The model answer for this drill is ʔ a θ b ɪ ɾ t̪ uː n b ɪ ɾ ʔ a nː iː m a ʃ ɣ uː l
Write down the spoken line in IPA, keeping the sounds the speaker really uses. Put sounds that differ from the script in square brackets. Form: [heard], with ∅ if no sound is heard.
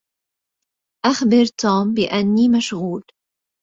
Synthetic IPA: ʔ a [x] b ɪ ɾ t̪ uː [m] b ɪ [∅] ʔ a nː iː m a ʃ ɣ uː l

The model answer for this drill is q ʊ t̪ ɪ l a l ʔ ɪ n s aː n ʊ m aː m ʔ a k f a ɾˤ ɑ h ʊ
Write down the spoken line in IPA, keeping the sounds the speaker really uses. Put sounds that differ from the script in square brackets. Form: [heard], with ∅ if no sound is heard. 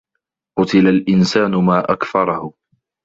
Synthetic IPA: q ʊ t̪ ɪ l a l ʔ ɪ n s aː n ʊ m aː [∅] ʔ a k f [ɑ] ɾˤ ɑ h ʊ

